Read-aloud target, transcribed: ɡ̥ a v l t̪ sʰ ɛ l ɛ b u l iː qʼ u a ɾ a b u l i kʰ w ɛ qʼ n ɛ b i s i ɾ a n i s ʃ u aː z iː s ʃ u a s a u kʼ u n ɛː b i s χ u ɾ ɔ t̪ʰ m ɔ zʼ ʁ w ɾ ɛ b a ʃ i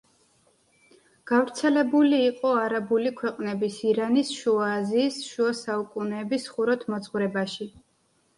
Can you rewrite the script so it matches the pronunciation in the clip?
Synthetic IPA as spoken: ɡ̥ a v ɾ t̪ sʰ ɛ l ɛ b u l iː qʼ ɔ a ɾ a b u l i kʰ w ɛ qʼ n ɛ b i s i ɾ a n i s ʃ u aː z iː s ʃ u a s a u kʼ u n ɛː b i s χ u ɾ ɔ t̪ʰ m ɔ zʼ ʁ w ɾ ɛ b a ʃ i

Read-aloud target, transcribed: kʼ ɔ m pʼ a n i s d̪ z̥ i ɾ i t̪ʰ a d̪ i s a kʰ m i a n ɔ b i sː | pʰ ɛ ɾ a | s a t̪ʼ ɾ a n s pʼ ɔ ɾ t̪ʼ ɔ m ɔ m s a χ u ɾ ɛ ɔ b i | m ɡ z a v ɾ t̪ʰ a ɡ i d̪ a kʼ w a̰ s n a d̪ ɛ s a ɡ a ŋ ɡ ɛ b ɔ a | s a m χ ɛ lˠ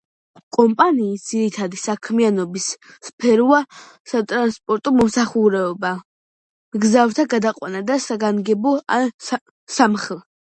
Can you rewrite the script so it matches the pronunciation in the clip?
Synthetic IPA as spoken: kʼ ɔ m pʼ a n iː s d̪ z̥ i ɾ i t̪ʰ a d̪ i s a kʰ m i a n ɔ b i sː | pʰ ɛ ɾ a | s a t̪ʼ ɾ a n s pʼ ɔ ɾ t̪ʼ ɔ m ɔ m s a χ u ɾ ɛ ɔ b a | m ɡ z a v ɾ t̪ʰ a ɡ a d̪ a qʼ w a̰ n a d̪ a s a ɡ a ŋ ɡ ɛ b ɔ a | s a m χ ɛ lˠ

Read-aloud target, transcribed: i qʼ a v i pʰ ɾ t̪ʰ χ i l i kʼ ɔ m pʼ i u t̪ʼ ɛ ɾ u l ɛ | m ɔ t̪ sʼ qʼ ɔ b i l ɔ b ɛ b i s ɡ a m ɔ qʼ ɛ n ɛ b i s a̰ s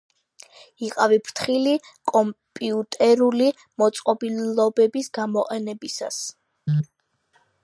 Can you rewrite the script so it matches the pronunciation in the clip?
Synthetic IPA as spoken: i qʼ a v i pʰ ɾ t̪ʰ χ i l i kʼ ɔ m pʼ i u t̪ʼ ɛ ɾ u l i | m ɔ t̪ sʼ qʼ ɔ b i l ɔ b ɛ b i s ɡ a m ɔ qʼ ɛ n ɛ b i s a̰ s

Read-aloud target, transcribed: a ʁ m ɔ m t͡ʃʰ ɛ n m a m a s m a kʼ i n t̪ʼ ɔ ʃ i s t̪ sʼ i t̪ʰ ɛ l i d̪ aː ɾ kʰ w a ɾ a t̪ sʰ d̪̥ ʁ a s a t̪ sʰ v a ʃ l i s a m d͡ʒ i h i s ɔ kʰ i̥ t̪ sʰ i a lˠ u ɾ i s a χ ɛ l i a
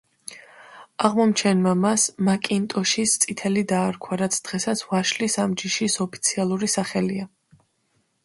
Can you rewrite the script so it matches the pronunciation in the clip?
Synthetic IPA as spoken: a ʁ m ɔ m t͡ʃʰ ɛ n m a m a s m a kʼ i n t̪ʼ ɔ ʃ i s t̪ sʼ i t̪ʰ ɛ l i d̪ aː ɾ kʰ w a ɾ a t̪ sʰ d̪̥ ʁ ɛ s a t̪ sʰ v a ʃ l i s a m d͡ʒ i ʃ i s ɔ pʰ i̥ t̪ sʰ i a lˠ u ɾ i s a χ ɛ l i a

